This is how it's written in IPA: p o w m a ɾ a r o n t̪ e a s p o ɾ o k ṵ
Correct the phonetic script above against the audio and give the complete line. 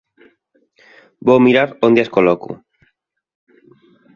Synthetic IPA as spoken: b o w m i ɾ a ɾ o n d̪ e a s k o l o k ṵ